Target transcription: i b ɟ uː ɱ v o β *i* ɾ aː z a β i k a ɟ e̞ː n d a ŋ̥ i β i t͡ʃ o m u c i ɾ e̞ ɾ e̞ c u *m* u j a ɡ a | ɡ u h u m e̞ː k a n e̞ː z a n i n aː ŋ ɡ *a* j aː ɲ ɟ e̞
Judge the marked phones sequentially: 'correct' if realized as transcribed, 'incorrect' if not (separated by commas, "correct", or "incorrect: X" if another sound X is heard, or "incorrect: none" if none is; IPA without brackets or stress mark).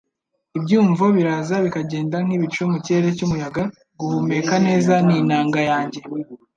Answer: correct, correct, correct